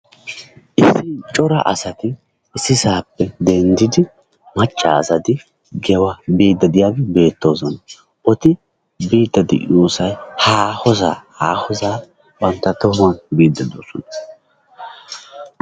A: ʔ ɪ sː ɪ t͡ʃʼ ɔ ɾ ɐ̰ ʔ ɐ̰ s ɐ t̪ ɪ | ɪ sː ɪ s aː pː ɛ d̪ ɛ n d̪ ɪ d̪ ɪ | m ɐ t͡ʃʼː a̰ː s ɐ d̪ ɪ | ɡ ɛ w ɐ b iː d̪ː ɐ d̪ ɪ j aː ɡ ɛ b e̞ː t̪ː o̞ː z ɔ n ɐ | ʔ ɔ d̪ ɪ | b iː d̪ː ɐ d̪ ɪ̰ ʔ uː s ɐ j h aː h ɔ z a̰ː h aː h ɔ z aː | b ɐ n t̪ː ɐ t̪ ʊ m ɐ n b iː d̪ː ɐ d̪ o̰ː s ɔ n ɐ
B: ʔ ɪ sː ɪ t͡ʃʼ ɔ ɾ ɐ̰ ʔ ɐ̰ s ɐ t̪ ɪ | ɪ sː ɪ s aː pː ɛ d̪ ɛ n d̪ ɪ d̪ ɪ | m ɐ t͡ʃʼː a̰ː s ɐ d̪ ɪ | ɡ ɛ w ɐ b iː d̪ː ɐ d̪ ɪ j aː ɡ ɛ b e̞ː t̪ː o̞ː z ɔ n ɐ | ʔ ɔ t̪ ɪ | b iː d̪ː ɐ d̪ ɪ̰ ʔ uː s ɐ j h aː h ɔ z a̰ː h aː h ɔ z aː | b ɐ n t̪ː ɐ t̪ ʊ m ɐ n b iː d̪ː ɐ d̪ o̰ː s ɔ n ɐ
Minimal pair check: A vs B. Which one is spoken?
B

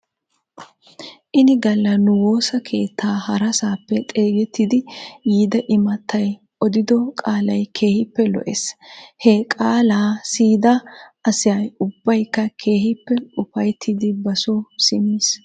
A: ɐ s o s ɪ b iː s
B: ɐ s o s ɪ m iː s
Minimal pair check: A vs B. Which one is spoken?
B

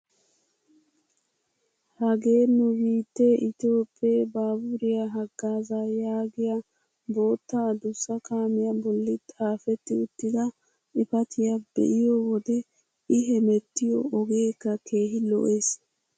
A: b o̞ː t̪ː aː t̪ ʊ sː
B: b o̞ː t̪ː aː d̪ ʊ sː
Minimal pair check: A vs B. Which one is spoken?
B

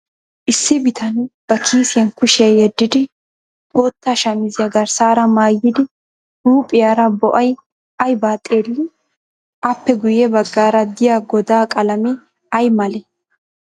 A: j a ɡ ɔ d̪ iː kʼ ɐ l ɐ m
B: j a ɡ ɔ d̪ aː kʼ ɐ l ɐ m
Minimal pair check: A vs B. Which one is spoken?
B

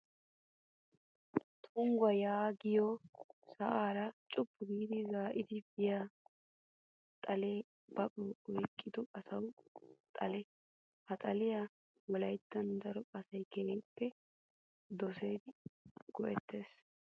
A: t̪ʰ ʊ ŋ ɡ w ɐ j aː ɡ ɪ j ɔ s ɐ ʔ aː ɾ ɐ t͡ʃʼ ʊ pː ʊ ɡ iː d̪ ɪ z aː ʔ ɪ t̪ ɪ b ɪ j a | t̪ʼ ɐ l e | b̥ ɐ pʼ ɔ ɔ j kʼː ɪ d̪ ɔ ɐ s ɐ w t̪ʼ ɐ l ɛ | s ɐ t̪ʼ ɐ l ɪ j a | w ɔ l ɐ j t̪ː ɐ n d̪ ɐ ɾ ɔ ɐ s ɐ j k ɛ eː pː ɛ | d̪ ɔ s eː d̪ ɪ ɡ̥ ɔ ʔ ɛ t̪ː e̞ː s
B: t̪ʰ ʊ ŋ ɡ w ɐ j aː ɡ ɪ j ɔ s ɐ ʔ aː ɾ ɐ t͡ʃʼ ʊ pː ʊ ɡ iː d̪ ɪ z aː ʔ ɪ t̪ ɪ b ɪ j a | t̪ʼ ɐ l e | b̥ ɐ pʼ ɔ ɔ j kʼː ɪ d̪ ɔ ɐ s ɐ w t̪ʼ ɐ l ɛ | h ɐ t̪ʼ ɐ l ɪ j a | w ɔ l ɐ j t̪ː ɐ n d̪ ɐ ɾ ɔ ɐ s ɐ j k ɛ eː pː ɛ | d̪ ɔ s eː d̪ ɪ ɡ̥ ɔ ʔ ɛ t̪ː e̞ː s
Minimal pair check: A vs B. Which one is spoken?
B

